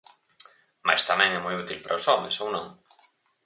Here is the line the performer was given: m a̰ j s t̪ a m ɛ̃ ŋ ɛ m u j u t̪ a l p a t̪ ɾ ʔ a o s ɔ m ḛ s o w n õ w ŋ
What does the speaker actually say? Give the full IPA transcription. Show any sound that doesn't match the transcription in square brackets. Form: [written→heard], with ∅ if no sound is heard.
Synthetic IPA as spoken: m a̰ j s t̪ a m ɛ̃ ŋ ɛ m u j u t̪ [a→i] l p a [t̪→∅] ɾ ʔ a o s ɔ m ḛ s o w n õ [w→∅] ŋ